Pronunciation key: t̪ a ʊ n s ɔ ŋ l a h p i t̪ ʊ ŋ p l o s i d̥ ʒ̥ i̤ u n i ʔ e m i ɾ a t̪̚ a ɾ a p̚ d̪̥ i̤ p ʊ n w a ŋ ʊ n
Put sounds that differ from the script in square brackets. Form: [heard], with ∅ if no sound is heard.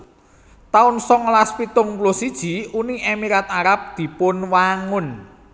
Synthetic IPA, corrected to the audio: t̪ a ʊ n s ɔ ŋ l a [s] p i t̪ ʊ ŋ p l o s i d̥ ʒ̥ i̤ u n i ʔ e m i ɾ a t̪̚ a ɾ a p̚ d̪̥ i̤ p ʊ n w a ŋ ʊ n